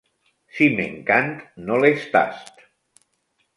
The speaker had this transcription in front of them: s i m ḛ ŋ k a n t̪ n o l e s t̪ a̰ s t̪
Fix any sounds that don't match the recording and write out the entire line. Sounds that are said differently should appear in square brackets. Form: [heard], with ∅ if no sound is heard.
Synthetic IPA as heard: s i m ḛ ŋ k a n t̪ n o l e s t̪ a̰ s t̪